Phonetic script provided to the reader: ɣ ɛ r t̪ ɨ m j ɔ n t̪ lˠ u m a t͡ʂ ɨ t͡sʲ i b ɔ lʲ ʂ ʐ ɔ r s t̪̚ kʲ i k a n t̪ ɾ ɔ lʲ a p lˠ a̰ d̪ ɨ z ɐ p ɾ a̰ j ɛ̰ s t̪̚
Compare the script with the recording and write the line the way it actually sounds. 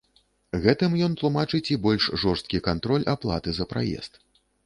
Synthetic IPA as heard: ɣ ɛ t̪ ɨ m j ɔ n t̪ lˠ u m a t͡ʂ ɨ t͡sʲ i b ɔ lʲ ʂ ʐ ɔ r s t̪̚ kʲ i k a n t̪ ɾ ɔ lʲ a p lˠ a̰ t̪ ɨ z ɐ p ɾ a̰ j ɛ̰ s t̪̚

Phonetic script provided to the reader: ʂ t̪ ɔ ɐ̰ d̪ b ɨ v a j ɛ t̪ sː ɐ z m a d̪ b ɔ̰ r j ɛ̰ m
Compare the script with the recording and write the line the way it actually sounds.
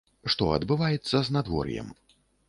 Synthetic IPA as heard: ʂ t̪ ɔ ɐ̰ d̪ b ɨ v a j ɛ t̪ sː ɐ z n a d̪ v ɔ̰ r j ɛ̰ m

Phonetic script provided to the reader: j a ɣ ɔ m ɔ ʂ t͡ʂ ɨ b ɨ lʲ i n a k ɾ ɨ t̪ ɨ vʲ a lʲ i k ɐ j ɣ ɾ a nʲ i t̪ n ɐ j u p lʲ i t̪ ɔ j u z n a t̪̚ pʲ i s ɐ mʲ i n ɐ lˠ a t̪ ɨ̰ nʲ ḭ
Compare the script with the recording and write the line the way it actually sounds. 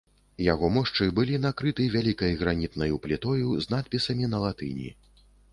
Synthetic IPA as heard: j a ɣ ɔ m ɔ ʂ t͡ʂ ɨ b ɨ lʲ i n a k ɾ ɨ t̪ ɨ vʲ a lʲ i k ɐ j ɣ ɾ a nʲ i t̪ n ɐ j u p lʲ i t̪ ɔ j u z n a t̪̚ pʲ i s ɐ mʲ i n ɐ lˠ a t̪ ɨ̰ nʲ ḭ

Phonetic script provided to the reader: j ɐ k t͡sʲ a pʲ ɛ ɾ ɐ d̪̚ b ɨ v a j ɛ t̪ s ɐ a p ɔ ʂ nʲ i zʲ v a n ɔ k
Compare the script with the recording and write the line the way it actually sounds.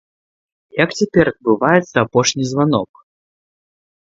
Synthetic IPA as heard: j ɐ k t͡sʲ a pʲ ɛ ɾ ɐ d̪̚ b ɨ v a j ɛ t̪ s ɐ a p ɔ ʂ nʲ i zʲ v a n ɔ k

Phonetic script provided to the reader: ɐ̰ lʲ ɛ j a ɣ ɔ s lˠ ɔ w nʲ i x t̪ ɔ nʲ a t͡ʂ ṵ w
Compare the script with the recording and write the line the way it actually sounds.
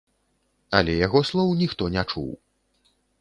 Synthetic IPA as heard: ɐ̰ lʲ ɛ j a ɣ ɔ s lˠ ɔ w nʲ i x t̪ ɔ nʲ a t͡ʂ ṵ w

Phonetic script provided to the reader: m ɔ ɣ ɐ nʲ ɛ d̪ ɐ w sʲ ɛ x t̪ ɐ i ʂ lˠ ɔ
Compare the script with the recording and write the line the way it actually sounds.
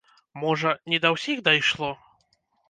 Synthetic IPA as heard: m ɔ ʐ ɐ nʲ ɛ d̪ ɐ w sʲ i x d̪ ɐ j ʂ lˠ ɔ

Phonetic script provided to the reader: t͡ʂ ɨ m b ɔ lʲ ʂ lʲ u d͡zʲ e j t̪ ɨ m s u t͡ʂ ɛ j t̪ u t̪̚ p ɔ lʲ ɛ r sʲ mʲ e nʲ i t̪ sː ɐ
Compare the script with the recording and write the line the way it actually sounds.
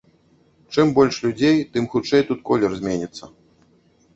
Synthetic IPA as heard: t͡ʂ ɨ m b ɔ lʲ ʂ lʲ u d͡zʲ e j t̪ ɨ m x u t͡ʂ ɛ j t̪ u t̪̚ k ɔ lʲ ɛ r zʲ mʲ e nʲ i t̪ sː ɐ

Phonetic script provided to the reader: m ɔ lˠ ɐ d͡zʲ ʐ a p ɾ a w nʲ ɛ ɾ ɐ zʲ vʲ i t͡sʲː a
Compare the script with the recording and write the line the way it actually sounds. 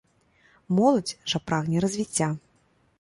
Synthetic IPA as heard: m ɔ lˠ ɐ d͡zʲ ʐ a p ɾ a ɣ nʲ ɛ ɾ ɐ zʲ vʲ i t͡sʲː a

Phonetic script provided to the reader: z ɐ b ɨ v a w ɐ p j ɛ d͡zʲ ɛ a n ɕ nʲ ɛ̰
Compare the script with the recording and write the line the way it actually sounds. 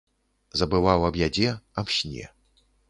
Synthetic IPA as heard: z ɐ b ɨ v a w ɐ b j a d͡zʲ ɛ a m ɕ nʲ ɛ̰

